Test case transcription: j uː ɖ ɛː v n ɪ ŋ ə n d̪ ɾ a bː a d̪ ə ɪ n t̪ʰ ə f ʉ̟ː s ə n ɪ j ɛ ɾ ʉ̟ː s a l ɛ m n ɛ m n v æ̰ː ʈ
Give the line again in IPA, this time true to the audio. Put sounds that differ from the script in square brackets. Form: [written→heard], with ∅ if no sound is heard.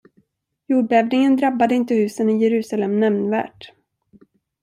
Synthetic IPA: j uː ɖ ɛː v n ɪ ŋ ə n d̪ ɾ a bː a d̪ ə ɪ n [t̪ʰ→t̪] ə [f→h] ʉ̟ː s ə n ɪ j ɛ ɾ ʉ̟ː s a l ɛ m n ɛ m n v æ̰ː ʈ